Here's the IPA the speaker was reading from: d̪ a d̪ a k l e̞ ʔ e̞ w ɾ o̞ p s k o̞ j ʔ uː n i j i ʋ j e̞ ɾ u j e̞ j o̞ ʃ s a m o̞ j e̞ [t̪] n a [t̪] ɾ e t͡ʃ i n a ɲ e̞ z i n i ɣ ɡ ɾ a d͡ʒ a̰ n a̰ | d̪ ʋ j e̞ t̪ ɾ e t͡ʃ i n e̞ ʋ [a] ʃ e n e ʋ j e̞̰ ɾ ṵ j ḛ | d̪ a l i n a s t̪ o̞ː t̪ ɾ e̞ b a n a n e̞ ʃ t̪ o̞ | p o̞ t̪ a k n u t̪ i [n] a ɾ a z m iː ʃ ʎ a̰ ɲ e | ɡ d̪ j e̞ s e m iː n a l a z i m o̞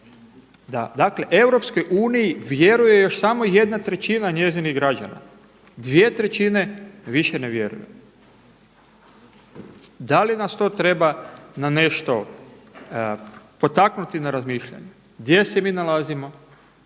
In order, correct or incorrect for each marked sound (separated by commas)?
incorrect, correct, incorrect, correct